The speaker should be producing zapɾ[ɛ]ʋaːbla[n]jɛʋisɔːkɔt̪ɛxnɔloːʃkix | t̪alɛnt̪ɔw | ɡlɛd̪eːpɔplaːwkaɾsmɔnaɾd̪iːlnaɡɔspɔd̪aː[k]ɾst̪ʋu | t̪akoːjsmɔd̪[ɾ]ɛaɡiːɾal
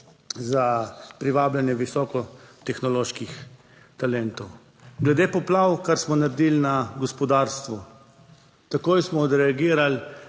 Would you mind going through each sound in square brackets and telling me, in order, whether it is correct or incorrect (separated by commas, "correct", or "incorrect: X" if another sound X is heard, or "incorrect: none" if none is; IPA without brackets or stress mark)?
incorrect: i, correct, incorrect: none, correct